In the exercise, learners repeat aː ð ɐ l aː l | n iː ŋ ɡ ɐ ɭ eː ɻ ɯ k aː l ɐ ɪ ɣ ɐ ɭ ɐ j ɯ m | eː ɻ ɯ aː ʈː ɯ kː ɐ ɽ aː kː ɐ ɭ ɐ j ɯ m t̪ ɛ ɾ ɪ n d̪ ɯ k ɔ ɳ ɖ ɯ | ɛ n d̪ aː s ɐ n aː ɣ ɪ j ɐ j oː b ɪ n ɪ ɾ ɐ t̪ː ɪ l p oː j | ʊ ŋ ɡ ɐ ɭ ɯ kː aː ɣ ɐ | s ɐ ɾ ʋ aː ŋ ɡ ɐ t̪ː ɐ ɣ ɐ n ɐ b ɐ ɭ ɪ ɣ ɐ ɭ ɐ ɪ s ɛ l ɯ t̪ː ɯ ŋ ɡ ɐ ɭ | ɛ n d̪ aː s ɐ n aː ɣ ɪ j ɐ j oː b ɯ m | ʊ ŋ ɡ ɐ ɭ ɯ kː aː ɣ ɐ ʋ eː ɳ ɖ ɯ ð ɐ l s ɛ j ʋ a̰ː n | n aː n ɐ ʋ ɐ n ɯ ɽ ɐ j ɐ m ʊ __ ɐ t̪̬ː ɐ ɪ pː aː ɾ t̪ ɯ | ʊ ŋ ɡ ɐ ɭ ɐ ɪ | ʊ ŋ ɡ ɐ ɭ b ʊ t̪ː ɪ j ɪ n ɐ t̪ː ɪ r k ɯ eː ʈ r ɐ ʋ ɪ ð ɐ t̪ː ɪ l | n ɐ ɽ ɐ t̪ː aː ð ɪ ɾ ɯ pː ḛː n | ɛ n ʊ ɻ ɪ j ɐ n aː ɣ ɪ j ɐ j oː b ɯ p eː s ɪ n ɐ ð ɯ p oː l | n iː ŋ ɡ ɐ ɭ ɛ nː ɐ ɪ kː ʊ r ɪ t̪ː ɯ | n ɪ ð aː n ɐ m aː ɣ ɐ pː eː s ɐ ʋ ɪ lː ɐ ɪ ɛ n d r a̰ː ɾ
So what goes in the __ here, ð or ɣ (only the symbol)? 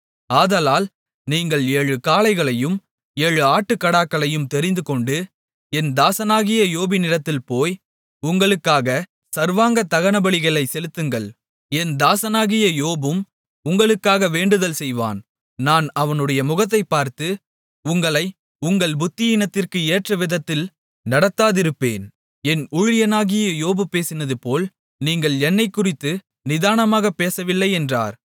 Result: ɣ